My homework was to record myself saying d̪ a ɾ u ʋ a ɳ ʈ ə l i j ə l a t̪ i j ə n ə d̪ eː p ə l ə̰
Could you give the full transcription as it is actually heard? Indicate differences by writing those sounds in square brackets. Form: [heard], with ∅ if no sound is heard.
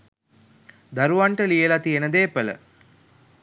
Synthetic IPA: d̪ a ɾ u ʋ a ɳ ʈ ə l i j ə l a t̪ i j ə n ə d̪ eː p ə l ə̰